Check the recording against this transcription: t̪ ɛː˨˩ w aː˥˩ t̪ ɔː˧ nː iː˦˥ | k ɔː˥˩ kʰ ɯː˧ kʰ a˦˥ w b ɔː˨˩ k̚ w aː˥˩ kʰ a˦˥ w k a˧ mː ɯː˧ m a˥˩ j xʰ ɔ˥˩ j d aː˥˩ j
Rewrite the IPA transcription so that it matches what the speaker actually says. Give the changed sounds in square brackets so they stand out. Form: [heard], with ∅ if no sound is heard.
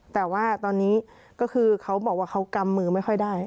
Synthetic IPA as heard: t̪ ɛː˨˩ w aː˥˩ t̪ ɔː˧ nː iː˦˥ | k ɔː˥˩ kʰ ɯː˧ kʰ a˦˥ w b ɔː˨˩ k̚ w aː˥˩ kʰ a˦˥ w k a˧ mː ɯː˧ m a˥˩ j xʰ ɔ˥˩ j d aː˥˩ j